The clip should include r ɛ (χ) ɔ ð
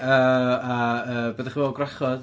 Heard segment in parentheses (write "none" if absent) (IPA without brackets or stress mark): χ